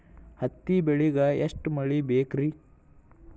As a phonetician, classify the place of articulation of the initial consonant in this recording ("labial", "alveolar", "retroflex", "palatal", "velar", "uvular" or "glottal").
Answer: glottal